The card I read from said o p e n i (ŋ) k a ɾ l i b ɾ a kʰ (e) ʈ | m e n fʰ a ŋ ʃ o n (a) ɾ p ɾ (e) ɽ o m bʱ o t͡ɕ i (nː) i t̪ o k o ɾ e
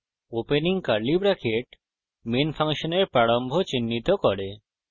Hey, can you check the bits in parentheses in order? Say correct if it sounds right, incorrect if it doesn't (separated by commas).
correct, correct, incorrect, incorrect, correct